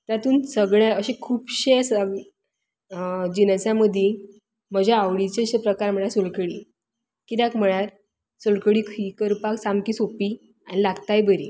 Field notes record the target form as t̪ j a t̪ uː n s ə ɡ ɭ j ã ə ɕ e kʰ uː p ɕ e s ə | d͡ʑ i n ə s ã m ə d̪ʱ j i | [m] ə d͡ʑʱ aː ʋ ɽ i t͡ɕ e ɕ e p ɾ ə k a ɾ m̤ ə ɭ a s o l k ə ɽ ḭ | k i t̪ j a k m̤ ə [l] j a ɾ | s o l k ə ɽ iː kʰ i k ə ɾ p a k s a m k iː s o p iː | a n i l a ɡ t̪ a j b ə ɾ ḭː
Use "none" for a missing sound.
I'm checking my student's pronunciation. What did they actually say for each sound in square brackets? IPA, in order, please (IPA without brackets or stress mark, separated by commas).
m, ɭ